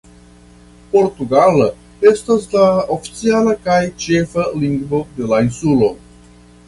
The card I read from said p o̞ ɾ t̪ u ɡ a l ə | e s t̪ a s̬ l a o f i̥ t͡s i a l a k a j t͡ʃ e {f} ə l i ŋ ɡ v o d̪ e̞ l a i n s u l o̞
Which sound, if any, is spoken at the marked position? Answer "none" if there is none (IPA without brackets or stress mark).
f